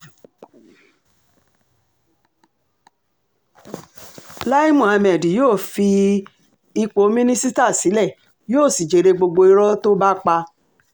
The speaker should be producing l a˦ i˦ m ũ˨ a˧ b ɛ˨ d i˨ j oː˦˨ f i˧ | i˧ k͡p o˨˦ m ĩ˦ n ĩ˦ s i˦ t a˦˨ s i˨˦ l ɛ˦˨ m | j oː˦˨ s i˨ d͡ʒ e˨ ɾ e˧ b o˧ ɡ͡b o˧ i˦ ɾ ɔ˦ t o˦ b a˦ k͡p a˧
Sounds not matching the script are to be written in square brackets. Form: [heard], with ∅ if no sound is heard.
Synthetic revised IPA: l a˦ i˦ m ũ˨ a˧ [m] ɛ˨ d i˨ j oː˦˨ f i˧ | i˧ k͡p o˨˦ m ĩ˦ n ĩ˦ s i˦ t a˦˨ s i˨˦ l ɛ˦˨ [∅] | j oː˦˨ s i˨ d͡ʒ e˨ ɾ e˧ [ɡ͡b] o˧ ɡ͡b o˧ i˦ ɾ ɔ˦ t o˦ b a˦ k͡p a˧

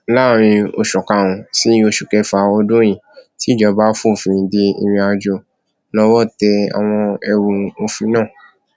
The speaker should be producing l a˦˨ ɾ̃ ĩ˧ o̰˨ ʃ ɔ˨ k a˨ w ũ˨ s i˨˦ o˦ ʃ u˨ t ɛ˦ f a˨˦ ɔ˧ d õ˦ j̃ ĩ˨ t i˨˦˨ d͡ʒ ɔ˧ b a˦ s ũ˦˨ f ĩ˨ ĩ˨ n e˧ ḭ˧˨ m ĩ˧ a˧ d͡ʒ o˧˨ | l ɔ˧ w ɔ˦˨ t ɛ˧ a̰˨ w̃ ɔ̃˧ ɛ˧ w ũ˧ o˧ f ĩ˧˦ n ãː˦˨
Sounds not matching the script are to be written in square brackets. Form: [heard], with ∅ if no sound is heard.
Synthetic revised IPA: l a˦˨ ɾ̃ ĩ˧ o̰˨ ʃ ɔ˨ k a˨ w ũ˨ s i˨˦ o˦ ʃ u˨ [k] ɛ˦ f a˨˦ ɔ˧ d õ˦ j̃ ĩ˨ t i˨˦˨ d͡ʒ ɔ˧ b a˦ [f] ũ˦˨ f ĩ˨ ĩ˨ [d] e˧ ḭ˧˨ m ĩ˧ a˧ d͡ʒ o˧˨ | l ɔ˧ w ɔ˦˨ t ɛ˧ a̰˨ w̃ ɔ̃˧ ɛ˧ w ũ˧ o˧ f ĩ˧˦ n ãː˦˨

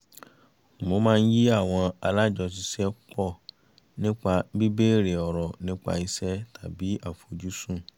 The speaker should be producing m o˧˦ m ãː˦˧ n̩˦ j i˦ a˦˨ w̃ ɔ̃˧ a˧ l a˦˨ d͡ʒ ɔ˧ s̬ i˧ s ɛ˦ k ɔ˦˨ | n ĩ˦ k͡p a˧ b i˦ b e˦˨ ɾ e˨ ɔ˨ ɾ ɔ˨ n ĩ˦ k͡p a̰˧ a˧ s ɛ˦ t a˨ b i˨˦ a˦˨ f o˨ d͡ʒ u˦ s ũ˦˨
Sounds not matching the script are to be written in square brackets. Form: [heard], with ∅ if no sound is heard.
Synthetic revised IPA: m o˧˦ m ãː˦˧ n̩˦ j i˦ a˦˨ w̃ ɔ̃˧ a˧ l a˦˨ d͡ʒ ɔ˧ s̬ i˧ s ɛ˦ [k͡p] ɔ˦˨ | n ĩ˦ k͡p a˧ b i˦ b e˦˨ ɾ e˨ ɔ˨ ɾ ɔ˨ n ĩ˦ k͡p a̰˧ [i˧] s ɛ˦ t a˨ b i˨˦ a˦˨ f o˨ d͡ʒ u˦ s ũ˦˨

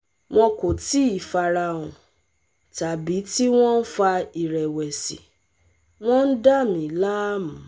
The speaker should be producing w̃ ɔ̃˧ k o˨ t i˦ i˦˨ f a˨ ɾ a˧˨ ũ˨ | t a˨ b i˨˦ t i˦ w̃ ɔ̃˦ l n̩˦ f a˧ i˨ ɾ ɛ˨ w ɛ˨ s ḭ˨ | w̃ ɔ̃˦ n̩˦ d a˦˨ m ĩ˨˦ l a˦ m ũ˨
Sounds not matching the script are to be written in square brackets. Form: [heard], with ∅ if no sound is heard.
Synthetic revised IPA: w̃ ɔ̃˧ k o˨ t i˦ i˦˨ f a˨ ɾ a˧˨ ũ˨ | t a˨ b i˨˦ t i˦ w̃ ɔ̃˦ [∅] n̩˦ f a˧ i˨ ɾ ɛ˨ w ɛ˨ s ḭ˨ | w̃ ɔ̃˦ n̩˦ d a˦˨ m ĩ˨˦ l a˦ m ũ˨

